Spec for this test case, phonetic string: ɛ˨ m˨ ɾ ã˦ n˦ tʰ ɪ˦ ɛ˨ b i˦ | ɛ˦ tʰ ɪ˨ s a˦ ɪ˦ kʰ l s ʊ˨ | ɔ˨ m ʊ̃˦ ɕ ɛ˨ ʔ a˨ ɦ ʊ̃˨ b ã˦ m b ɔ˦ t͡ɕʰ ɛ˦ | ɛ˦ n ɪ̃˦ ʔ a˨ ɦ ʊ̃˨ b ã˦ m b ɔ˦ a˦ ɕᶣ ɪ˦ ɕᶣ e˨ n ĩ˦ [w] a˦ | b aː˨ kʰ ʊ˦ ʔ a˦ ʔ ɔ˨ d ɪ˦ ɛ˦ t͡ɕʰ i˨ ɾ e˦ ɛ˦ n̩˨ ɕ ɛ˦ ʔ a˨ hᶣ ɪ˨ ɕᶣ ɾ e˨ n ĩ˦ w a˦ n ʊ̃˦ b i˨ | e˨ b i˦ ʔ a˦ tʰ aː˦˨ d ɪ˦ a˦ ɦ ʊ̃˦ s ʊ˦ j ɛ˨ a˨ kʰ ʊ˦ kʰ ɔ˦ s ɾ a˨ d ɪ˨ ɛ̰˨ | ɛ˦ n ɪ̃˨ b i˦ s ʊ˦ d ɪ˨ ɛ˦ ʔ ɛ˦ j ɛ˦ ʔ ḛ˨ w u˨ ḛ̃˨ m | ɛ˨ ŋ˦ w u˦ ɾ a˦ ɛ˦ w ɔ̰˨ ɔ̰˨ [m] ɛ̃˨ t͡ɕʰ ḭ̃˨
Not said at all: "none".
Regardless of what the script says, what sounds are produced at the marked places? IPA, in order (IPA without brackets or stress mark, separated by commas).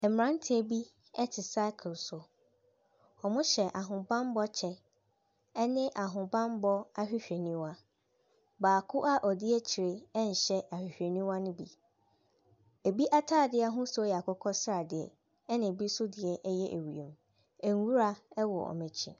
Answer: w, m